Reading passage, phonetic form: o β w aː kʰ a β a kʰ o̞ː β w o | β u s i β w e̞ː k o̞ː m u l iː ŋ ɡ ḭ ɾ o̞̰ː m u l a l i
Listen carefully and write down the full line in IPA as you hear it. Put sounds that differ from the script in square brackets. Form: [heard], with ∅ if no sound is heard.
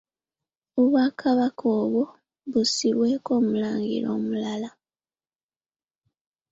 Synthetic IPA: o β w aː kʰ a β a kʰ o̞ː β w o | β u s i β w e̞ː k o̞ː m u l [aː] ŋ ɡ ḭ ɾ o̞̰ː m u l a l [a]